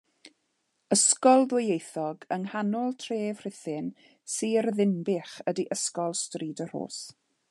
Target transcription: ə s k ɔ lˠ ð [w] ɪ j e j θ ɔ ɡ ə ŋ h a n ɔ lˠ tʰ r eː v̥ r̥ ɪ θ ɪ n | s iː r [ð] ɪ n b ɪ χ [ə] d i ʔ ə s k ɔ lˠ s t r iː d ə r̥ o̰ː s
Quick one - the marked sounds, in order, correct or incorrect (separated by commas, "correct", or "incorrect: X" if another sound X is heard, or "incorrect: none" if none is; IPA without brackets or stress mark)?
correct, correct, correct